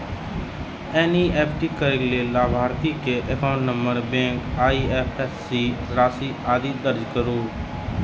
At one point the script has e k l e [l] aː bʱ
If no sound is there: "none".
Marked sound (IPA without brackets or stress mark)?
l